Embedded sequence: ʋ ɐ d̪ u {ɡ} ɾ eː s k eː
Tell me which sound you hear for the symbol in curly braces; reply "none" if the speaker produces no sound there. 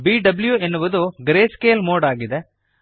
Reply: ɡ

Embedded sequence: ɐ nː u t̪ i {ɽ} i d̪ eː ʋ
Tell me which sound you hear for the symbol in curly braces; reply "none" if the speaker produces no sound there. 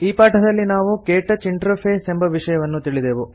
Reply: ɭ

